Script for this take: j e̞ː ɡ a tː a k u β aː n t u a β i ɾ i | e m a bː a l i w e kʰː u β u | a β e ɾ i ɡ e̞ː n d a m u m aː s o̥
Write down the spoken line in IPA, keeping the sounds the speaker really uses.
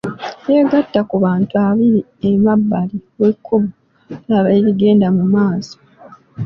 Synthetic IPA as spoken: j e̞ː ɡ a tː a k u β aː n t u a β i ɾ i | e m a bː a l i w e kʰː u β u | a β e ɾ i ɡ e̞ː n d a m u m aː s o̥